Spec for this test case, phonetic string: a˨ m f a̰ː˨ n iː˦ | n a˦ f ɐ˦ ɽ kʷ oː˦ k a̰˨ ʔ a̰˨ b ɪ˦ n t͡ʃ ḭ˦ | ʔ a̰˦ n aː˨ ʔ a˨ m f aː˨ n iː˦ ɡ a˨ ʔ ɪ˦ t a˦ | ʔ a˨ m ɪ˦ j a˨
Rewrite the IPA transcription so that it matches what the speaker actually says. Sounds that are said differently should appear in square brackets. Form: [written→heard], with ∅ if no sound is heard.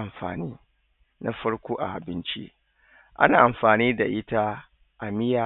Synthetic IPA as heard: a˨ m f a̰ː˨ n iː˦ | n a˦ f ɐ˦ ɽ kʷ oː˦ [k→ʔ] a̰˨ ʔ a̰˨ b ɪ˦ n t͡ʃ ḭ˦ | ʔ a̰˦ n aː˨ ʔ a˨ m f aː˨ n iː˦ [ɡ→d] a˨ ʔ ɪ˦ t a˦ | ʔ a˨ m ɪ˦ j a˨